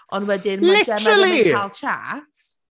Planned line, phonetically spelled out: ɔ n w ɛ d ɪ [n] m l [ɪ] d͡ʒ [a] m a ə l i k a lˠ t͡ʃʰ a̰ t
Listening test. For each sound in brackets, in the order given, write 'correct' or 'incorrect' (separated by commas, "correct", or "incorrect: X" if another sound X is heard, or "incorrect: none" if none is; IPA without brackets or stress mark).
correct, correct, incorrect: ɛ